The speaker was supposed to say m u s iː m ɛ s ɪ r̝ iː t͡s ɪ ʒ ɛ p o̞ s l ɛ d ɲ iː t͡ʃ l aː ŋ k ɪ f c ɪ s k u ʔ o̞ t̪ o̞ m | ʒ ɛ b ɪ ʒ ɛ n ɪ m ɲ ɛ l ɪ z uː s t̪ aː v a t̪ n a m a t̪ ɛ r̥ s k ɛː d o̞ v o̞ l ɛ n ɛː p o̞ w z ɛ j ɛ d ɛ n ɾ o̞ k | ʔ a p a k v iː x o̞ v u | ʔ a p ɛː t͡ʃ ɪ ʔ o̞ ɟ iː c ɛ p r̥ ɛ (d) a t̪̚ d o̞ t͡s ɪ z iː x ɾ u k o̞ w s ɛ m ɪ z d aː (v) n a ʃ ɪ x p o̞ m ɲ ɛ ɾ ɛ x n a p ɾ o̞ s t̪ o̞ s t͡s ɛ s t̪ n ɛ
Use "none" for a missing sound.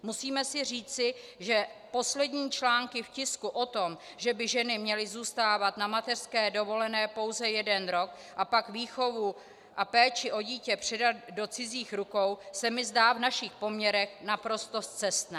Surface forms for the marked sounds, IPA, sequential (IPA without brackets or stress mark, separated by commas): d, v